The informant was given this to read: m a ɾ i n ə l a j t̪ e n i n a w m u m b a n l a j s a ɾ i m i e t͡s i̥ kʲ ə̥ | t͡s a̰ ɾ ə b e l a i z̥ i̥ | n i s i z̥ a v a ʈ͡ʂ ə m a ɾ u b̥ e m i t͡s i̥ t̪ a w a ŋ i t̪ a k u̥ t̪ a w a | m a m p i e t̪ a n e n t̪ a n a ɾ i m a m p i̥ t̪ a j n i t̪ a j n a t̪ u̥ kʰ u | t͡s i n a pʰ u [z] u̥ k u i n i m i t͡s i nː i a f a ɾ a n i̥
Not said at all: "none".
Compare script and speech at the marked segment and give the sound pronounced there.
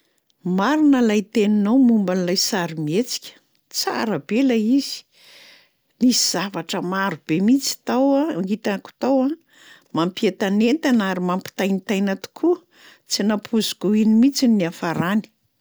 z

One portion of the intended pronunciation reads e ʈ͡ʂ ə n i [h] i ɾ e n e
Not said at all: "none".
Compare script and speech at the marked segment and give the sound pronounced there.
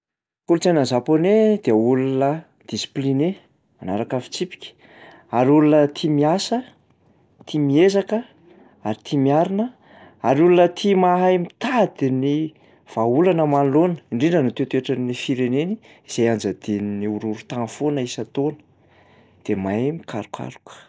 f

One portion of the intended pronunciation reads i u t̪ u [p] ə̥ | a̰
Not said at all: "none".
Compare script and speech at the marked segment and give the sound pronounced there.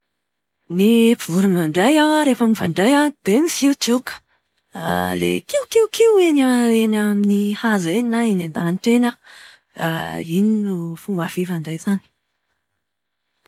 k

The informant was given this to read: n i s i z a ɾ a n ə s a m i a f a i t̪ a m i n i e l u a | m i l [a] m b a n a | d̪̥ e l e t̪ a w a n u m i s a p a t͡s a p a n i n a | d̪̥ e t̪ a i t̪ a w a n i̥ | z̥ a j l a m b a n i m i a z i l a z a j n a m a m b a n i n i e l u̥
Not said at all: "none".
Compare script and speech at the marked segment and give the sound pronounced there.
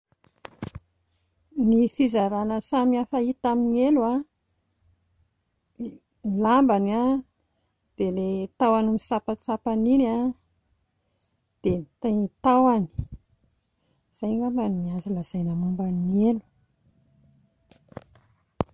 a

